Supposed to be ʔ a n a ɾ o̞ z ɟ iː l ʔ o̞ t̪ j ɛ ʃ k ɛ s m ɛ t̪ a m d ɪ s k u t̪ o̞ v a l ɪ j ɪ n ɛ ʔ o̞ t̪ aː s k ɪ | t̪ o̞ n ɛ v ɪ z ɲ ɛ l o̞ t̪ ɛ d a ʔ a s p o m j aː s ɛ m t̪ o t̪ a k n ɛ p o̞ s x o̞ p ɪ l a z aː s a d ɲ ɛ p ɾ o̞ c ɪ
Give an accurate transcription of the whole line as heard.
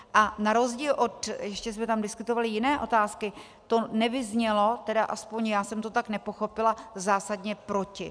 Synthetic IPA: ʔ a n a ɾ o̞ z ɟ iː l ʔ o̞ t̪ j ɛ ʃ c ɛ s m ɛ t̪ a m d ɪ s k u t̪ o̞ v a l ɪ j ɪ n ɛː ʔ o̞ t̪ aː s k ɪ | t̪ o̞ n ɛ v ɪ z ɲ ɛ l o̞ t̪ ɛ d a ʔ a s p o ɲ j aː s ɛ m t̪ o t̪ a k n ɛ p o̞ x o̞ p ɪ l a z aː s a d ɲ ɛ p ɾ o̞ c ɪ